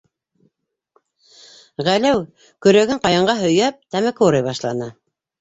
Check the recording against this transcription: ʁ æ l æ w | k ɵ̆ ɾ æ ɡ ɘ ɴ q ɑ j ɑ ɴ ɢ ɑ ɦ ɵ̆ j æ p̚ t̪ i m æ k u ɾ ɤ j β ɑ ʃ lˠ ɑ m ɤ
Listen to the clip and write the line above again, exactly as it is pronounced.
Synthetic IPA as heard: ʁ æ l æ w | k ɵ̆ ɾ æ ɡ ɘ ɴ q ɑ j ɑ ɴ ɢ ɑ ɦ ɵ̆ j æ p̚ t̪ æ m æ k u ɾ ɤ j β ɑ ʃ lˠ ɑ n ɤ